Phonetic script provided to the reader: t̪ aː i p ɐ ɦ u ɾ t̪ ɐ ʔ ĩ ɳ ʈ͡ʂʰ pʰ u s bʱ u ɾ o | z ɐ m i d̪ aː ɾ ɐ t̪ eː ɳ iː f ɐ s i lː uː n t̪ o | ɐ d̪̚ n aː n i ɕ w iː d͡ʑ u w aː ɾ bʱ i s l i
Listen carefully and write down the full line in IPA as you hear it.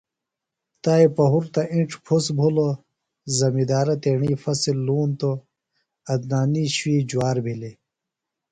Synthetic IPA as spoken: t̪ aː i p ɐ ɦ u ɾ t̪ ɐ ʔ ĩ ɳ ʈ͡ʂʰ pʰ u s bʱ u l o | z ɐ m i d̪ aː ɾ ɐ t̪ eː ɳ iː f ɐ s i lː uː n t̪ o | ɐ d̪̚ n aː n i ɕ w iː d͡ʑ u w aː ɾ bʱ i l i

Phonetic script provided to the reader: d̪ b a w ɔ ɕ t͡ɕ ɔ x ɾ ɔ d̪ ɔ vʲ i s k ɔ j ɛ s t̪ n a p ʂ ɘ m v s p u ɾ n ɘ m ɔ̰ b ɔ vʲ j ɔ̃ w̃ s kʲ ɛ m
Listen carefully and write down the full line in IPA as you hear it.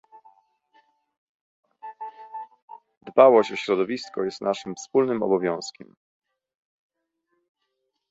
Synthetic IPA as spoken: d̪ b a w ɔ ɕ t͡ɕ ɔ ɕ ɾ ɔ d̪ ɔ vʲ i s k ɔ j ɛ s t̪ n a ʂ ɘ m f s p u l n ɘ m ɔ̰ b ɔ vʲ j ɔ̃ w̃ s kʲ ɛ m

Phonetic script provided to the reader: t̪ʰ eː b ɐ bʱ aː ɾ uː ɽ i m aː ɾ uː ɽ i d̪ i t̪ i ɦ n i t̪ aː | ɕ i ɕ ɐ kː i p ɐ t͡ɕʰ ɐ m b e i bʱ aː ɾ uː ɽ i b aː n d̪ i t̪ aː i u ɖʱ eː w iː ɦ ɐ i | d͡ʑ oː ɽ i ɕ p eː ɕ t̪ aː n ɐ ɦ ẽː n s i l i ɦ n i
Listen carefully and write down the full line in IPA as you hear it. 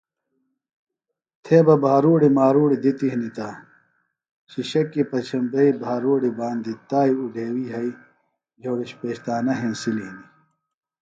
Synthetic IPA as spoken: t̪ʰ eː b ɐ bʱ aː ɾ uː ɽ i m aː ɾ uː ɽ i d̪ i t̪ i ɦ n i t̪ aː | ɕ i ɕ ɐ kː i p ɐ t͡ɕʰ ɐ m b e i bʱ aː ɾ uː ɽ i b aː n d̪ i t̪ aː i u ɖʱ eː w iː ɦ ɐ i | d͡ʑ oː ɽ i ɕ p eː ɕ t̪ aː n ɐ ɦ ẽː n s i l i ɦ n i

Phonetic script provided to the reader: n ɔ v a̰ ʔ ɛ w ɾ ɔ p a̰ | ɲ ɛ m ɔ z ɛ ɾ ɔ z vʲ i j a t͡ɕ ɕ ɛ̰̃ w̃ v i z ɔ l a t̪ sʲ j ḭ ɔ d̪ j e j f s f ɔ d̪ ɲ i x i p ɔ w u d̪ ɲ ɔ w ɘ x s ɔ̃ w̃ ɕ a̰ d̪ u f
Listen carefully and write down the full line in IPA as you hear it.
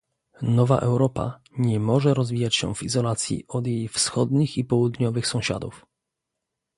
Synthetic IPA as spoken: n ɔ v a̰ ʔ ɛ w ɾ ɔ p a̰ | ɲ ɛ m ɔ ʐ ɛ ɾ ɔ z vʲ i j a t͡ɕ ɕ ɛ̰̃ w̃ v i z ɔ l a t̪ sʲ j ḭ ɔ d̪ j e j f s x ɔ d̪ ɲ i x i p ɔ w u d̪ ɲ ɔ v ɘ x s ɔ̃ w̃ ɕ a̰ d̪ u f

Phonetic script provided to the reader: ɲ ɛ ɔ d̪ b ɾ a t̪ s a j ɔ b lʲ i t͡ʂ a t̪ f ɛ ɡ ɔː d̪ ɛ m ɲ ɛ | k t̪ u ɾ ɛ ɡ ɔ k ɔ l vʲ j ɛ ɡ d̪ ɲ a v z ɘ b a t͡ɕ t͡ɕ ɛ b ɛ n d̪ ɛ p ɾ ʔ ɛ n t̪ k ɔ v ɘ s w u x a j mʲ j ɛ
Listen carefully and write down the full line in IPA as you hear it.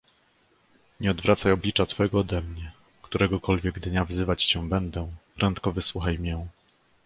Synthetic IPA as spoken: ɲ ɛ ɔ d̪ v ɾ a t̪ s a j ɔ b lʲ i t͡ʂ a t̪ f ɛ ɡ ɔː d̪ ɛ m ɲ ɛ | k t̪ u ɾ ɛ ɡ ɔ k ɔ l vʲ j ɛ ɡ d̪ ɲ a v z ɘ v a t͡ɕ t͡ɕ ɛ b ɛ n d̪ ɛ p ɾ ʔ ɛ n t̪ k ɔ v ɘ s w u x a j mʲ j ɛ

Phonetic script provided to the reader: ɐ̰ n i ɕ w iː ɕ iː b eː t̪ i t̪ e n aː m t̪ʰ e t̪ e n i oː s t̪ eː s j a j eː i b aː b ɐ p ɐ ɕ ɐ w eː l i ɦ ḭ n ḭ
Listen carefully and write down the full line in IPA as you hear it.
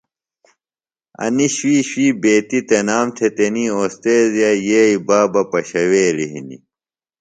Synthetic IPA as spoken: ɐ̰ n i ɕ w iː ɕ iː b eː t̪ i t̪ e n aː m t̪ʰ e t̪ e n i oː s t̪ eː z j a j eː i b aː b ɐ p ɐ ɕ ɐ w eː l i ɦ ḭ n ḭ

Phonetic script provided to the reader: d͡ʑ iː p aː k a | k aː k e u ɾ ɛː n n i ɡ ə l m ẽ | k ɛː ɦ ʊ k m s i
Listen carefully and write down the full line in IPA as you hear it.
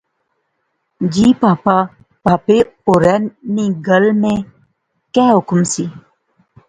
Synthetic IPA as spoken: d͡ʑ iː p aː p a | p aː p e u ɾ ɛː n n i ɡ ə l m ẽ | k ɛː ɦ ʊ k m s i

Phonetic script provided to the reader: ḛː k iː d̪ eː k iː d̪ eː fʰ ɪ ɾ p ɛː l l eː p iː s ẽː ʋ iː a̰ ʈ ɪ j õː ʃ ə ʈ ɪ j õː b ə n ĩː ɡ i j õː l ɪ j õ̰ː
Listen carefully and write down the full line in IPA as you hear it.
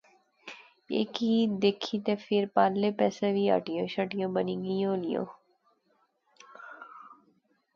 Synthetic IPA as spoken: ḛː k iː d̪ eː kʰ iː t̪ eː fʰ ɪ ɾ p aː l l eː p ɛː s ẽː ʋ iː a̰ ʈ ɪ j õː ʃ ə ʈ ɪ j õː b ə n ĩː ɡ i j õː l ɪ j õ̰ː

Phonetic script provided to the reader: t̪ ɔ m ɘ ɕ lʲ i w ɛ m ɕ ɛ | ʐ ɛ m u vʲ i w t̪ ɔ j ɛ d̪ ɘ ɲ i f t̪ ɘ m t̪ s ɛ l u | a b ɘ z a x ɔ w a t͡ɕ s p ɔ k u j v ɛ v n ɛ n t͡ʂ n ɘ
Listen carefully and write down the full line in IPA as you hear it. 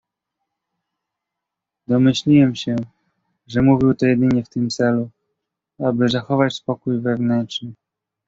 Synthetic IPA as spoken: d̪ ɔ m ɘ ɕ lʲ i w ɛ m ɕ ɛ | ʐ ɛ m u vʲ i w t̪ ɔ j ɛ d̪ ɘ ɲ ɛ f t̪ ɘ m t̪ s ɛ l u | a b ɘ z a x ɔ v a t͡ɕ s p ɔ k u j v ɛ v n ɛ n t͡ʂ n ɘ

